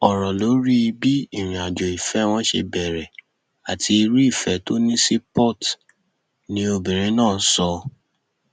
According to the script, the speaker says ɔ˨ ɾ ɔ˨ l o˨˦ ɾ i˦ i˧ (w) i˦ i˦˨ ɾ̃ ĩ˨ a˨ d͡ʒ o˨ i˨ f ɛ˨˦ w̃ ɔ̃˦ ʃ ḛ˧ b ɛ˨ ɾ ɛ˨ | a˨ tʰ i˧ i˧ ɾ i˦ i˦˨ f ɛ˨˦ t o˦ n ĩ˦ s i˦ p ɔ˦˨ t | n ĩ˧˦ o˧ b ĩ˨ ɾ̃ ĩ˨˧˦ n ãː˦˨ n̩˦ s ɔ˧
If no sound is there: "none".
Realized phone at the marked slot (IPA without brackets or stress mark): b